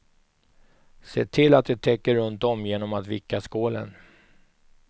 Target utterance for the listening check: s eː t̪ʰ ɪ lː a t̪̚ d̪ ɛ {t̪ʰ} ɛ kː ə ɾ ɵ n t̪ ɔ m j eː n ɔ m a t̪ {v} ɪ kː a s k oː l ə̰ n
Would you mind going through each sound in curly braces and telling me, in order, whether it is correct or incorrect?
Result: correct, correct

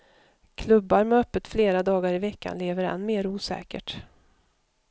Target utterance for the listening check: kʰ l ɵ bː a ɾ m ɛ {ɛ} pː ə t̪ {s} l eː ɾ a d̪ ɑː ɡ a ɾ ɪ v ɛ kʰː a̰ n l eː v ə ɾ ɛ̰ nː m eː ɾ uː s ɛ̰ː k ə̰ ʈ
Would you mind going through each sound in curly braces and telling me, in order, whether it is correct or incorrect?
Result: incorrect, incorrect

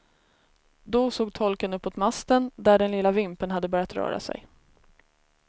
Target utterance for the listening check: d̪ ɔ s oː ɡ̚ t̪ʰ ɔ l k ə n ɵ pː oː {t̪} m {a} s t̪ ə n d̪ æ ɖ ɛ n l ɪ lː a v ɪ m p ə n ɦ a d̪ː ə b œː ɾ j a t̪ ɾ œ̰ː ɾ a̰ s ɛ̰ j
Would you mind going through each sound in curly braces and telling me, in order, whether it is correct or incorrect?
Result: correct, correct

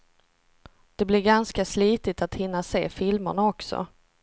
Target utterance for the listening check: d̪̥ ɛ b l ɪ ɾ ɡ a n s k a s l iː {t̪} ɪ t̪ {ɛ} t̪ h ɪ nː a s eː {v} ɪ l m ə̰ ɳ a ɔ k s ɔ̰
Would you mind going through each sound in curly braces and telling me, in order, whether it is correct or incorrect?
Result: correct, incorrect, incorrect

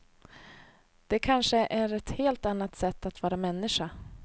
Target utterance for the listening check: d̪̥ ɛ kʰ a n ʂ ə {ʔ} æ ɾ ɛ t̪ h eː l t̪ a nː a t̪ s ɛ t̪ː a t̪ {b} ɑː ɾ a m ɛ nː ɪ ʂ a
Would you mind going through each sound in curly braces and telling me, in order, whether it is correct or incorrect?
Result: correct, incorrect

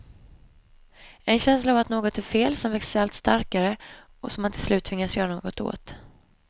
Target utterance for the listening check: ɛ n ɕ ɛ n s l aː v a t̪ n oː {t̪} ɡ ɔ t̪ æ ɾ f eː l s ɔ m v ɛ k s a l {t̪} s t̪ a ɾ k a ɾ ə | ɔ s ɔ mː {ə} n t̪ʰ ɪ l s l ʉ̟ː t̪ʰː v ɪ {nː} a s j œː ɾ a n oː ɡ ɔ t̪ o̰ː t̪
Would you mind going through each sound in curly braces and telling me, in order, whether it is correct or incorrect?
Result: incorrect, correct, incorrect, incorrect

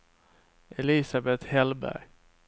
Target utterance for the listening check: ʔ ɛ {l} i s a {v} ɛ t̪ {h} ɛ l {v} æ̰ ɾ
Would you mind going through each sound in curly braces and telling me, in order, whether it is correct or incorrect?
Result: correct, incorrect, correct, incorrect

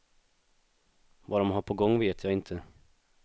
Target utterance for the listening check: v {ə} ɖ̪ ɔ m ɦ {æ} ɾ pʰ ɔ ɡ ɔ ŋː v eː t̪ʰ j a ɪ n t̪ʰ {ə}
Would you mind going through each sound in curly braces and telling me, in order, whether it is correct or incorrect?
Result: incorrect, incorrect, correct

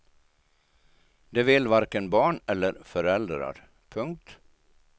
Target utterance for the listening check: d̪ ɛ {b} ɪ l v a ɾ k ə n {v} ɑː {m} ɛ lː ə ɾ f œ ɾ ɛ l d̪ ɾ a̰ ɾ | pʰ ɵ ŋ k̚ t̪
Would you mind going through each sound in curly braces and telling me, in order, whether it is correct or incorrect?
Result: incorrect, incorrect, incorrect

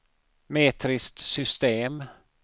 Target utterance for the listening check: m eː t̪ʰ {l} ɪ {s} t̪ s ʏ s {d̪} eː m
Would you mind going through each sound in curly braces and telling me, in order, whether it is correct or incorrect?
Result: incorrect, correct, incorrect

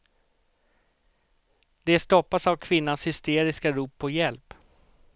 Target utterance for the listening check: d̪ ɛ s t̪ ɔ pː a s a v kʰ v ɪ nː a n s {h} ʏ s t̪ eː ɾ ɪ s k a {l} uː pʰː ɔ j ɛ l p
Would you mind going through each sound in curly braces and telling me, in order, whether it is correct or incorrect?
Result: correct, incorrect

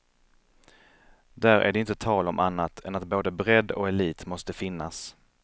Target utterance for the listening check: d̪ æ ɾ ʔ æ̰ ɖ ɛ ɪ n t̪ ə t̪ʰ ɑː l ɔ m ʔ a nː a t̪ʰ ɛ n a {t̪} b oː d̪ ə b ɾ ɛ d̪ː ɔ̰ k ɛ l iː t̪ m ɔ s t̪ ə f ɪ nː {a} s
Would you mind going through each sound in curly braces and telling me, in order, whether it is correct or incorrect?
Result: correct, correct

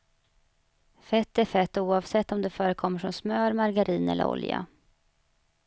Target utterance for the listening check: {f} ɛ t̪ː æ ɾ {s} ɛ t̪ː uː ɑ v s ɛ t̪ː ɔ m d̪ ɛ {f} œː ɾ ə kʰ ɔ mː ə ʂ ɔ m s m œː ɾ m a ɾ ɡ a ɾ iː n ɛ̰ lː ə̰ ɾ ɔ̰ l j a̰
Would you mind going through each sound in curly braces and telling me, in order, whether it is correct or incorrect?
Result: correct, incorrect, correct

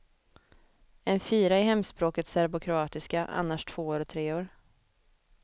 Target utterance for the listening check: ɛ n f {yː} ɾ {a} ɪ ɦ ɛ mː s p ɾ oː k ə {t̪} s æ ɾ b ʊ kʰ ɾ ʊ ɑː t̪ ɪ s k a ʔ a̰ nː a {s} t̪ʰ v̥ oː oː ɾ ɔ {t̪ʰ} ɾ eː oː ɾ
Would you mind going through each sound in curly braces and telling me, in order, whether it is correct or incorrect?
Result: incorrect, correct, correct, incorrect, correct

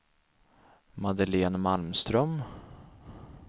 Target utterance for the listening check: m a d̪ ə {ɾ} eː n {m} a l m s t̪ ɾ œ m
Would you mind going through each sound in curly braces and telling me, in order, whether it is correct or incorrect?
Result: incorrect, correct

